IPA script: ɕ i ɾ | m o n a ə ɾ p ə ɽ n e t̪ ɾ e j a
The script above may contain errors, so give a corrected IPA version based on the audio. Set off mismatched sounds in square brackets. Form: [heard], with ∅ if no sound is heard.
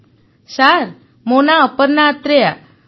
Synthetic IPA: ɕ [a] ɾ | m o n a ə [∅] p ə [ɾ] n [a] t̪ ɾ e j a